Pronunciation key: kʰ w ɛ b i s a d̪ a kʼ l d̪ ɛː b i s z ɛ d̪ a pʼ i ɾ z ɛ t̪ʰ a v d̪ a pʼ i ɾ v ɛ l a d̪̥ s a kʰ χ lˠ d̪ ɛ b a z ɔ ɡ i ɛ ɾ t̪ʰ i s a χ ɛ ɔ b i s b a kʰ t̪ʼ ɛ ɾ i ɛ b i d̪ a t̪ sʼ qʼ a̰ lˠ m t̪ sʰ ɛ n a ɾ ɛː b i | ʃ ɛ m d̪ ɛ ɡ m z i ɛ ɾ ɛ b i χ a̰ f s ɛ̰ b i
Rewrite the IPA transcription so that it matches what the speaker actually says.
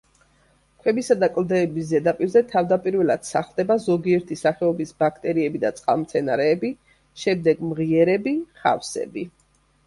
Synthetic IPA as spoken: kʰ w ɛ b i s a d̪ a kʼ l d̪ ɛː b i s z ɛ d̪ a pʼ i ɾ z ɛ t̪ʰ a v d̪ a pʼ i ɾ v ɛ l a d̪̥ s a χ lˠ d̪ ɛ b a z ɔ ɡ i ɛ ɾ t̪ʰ i s a χ ɛ ɔ b i s b a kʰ t̪ʼ ɛ ɾ i ɛ b i d̪ a t̪ sʼ qʼ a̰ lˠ m t̪ sʰ ɛ n a ɾ ɛː b i | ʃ ɛ m d̪ ɛ ɡ m ʁ i ɛ ɾ ɛ b i χ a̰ f s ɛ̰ b i

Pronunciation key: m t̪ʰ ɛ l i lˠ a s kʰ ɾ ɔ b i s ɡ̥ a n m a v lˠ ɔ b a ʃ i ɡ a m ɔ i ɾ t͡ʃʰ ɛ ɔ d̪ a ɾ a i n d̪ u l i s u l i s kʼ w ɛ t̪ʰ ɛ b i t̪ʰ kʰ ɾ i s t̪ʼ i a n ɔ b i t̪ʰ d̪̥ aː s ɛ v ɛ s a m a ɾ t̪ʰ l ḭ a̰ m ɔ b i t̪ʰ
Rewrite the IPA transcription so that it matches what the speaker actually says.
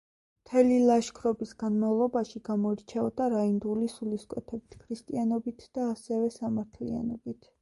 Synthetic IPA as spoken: m t̪ʰ ɛ l i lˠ a ʃ kʰ ɾ ɔ b i s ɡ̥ a n m a v lˠ ɔ b a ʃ i ɡ a m ɔ i ɾ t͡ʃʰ ɛ ɔ d̪ a ɾ a i n d̪ u l i s u l i s kʼ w ɛ t̪ʰ ɛ b i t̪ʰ kʰ ɾ i s t̪ʼ i a n ɔ b i t̪ʰ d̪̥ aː s ɛ v ɛ s a m a ɾ t̪ʰ l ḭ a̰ n ɔ b i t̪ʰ

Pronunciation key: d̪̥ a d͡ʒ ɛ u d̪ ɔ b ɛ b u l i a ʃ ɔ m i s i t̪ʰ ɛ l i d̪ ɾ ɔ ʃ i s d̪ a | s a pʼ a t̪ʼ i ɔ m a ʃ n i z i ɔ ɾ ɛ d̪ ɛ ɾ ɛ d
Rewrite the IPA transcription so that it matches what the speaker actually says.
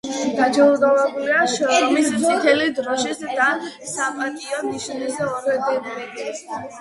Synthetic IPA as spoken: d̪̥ a d͡ʒ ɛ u d̪ ɔ v ɛ b u l i a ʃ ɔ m i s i t̪ʰ ɛ l i d̪ ɾ ɔ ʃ i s d̪ a | s a pʼ a t̪ʼ i ɔ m i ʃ n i z ɛ ɔ ɾ ɛ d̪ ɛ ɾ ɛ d

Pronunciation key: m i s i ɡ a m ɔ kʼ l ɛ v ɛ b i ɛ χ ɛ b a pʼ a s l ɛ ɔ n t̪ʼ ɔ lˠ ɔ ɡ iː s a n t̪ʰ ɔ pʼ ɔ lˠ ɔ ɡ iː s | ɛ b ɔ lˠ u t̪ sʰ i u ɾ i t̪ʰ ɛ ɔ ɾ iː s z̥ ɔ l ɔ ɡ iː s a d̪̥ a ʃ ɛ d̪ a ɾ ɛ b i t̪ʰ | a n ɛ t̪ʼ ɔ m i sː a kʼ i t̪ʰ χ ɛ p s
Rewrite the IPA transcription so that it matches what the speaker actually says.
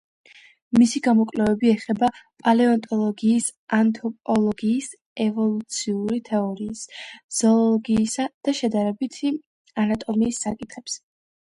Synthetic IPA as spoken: m i s i ɡ a m ɔ kʼ l ɛ v ɛ b i ɛ χ ɛ b a pʼ a l ɛ ɔ n t̪ʼ ɔ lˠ ɔ ɡ iː s a n t̪ʰ ɔ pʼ ɔ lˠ ɔ ɡ iː s | ɛ v ɔ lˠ u t̪ sʰ i u ɾ i t̪ʰ ɛ ɔ ɾ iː s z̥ ɔ l ɔ ɡ iː s a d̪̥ a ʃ ɛ d̪ a ɾ ɛ b i t̪ʰ | a n a t̪ʼ ɔ m iː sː a kʼ i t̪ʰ χ ɛ p s

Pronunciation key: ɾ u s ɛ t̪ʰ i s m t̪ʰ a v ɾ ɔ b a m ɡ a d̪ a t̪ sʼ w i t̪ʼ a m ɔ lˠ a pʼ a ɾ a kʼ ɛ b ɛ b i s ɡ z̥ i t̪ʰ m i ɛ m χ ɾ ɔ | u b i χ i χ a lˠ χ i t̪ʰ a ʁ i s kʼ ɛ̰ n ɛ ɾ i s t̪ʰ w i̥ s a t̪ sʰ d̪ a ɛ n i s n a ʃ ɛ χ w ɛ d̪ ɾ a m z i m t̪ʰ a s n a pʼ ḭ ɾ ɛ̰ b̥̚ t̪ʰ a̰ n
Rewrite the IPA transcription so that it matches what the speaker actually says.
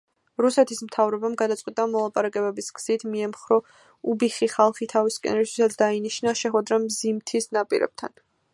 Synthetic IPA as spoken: ɾ u s ɛ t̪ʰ i s m t̪ʰ a v ɾ ɔ b a m ɡ a d̪ a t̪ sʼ w i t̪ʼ a m ɔ lˠ a pʼ a ɾ a kʼ ɛ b ɛ b i s ɡ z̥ i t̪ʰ m i ɛ m χ ɾ ɔ | u b i χ i χ a lˠ χ i t̪ʰ a v i s kʼ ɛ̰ n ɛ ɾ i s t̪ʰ w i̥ s a t̪ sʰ d̪ a i n i ʃ n a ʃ ɛ χ w ɛ d̪ ɾ a m z i m t̪ʰ i s n a pʼ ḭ ɾ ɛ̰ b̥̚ t̪ʰ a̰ n

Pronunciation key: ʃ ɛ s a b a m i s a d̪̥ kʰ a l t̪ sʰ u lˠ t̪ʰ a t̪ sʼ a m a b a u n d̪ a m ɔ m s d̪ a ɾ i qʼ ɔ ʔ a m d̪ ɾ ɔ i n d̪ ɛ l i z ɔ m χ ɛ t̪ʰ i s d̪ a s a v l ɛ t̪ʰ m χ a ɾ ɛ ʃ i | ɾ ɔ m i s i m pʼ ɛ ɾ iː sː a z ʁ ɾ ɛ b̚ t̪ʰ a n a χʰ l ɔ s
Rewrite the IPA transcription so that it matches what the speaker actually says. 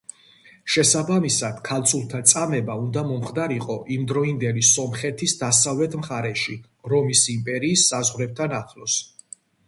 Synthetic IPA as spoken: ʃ ɛ s a b a m i s a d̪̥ kʰ a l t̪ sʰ u lˠ t̪ʰ a t̪ sʼ a m ɛ b a u n d̪ a m ɔ m χ d̪ a ɾ i qʼ ɔ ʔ i m d̪ ɾ ɔ i n d̪ ɛ l i s ɔ m χ ɛ t̪ʰ i s d̪ a s a v l ɛ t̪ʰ m χ a ɾ ɛ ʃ i | ɾ ɔ m i s i m pʼ ɛ ɾ iː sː a z ʁ ɾ ɛ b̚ t̪ʰ a n a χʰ l ɔ s

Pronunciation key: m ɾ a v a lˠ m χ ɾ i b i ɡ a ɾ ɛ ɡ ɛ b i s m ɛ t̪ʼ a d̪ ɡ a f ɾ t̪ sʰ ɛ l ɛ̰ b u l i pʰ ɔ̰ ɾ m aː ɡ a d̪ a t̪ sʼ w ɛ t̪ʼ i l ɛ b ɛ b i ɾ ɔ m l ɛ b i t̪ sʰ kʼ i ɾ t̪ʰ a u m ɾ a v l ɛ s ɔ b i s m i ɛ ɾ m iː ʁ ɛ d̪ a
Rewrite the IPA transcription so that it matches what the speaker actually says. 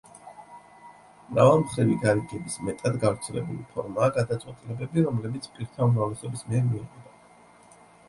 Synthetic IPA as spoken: m ɾ a v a lˠ m χ ɾ i v i ɡ a ɾ i ɡ ɛ b i s m ɛ t̪ʼ a d̪ ɡ a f ɾ t̪ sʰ ɛ l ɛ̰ b u l i pʰ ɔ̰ ɾ m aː ɡ a d̪ a t̪ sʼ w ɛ t̪ʼ i l ɛ b ɛ b i ɾ ɔ m l ɛ b i t̪ sʰ pʼ i ɾ t̪ʰ a u m ɾ a v l ɛ s ɔ b i s m i ɛ ɾ m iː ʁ ɛ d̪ a

